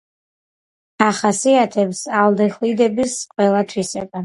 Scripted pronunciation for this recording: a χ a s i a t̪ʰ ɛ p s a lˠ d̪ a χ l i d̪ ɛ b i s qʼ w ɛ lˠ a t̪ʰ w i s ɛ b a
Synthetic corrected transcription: a χ a s i a t̪ʰ ɛ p s a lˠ d̪ ɛ χ l i d̪ ɛ b i s qʼ w ɛ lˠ a t̪ʰ w i s ɛ b a